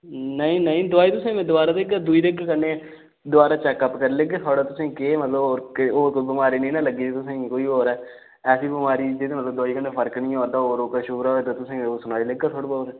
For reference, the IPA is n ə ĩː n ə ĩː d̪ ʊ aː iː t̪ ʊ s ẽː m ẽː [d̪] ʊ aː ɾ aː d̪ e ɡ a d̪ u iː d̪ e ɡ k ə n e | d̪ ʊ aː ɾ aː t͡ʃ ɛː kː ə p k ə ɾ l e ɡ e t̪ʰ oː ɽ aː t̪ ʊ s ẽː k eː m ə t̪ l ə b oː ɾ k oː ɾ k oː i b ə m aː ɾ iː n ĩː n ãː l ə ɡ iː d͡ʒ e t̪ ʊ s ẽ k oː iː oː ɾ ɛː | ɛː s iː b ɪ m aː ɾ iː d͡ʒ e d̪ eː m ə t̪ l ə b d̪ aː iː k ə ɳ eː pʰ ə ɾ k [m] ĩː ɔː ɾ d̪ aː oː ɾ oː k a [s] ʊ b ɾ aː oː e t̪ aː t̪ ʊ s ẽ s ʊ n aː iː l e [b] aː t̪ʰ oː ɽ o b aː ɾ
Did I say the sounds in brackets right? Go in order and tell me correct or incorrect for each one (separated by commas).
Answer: correct, incorrect, incorrect, incorrect